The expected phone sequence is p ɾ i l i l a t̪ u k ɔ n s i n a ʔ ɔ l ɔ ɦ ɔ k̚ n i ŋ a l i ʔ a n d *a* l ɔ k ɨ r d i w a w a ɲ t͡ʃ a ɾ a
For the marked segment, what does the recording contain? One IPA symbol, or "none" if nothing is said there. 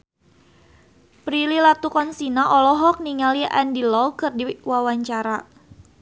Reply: i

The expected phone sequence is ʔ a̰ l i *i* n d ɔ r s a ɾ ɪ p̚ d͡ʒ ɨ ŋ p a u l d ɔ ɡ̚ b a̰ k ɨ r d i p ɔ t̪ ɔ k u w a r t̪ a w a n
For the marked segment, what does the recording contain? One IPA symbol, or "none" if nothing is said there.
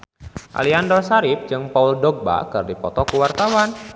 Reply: a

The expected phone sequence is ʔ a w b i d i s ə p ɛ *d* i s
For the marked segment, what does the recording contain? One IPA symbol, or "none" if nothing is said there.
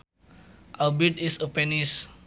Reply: n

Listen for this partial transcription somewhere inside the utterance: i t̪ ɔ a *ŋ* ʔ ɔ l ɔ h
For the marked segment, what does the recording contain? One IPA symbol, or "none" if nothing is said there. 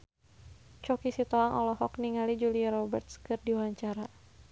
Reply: ŋ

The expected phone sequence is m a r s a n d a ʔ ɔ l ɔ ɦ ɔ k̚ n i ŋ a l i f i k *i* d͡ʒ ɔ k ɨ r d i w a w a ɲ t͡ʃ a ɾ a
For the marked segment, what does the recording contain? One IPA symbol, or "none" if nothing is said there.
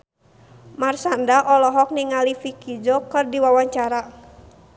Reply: i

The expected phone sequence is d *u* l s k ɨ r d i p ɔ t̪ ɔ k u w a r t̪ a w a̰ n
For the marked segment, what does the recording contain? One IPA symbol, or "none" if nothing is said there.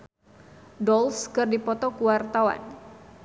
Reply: ɔ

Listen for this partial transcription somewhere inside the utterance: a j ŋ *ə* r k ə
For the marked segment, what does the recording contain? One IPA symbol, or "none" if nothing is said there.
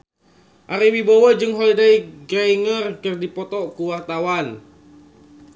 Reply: ə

